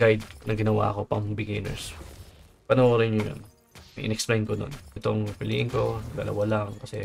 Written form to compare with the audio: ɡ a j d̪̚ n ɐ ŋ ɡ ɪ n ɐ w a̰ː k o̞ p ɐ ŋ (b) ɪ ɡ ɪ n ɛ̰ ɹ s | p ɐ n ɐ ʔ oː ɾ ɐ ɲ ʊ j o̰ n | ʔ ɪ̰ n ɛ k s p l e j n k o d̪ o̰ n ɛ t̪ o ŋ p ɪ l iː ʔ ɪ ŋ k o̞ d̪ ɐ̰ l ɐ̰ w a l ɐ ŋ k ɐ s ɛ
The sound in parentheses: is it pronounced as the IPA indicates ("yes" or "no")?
yes